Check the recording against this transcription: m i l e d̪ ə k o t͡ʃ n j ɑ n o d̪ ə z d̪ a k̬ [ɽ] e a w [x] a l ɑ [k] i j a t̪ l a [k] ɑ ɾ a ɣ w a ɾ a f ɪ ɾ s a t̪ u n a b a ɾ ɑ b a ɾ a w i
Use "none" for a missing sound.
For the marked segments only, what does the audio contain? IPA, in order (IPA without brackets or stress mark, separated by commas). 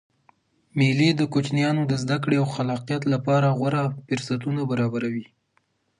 ɽ, x, q, p